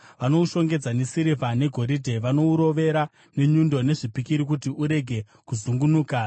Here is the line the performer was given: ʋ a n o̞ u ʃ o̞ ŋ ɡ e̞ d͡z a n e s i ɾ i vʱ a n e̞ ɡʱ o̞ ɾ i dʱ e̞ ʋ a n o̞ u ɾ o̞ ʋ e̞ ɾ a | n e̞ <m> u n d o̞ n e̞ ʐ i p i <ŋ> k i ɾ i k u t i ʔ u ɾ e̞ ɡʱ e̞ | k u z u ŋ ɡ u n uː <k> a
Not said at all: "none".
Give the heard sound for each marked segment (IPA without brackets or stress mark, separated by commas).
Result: ɲ, none, k